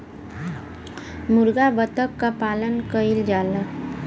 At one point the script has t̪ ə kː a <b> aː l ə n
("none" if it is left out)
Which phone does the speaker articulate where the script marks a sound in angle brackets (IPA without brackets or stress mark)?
p